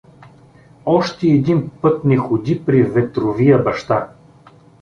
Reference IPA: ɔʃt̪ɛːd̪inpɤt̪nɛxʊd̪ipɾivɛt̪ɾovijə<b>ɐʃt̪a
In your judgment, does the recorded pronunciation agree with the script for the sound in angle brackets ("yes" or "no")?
yes